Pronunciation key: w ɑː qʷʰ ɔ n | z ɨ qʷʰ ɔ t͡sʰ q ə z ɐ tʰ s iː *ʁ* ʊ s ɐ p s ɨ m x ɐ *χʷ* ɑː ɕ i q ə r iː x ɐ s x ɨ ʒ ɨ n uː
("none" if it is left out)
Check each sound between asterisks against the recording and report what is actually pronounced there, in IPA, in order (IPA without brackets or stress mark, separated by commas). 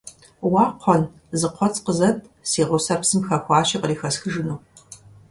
ʁ, xʷ